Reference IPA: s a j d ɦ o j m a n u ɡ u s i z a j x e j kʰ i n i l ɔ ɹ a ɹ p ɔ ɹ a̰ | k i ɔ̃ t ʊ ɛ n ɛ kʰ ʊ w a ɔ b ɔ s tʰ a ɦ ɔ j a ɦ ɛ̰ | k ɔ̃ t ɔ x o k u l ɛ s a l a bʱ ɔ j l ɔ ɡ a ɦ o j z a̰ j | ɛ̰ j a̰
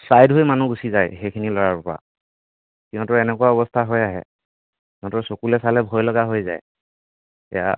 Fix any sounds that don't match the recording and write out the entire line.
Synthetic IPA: s a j d ɦ o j m a n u ɡ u s i z a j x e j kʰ i n i l ɔ ɹ a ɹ p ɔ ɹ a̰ | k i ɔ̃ t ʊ ɛ n ɛ k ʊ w a ɔ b ɔ s tʰ a ɦ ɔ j a ɦ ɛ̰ | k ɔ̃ t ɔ s o k u l ɛ s a l ɛ bʱ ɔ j l ɔ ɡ a ɦ o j z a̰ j | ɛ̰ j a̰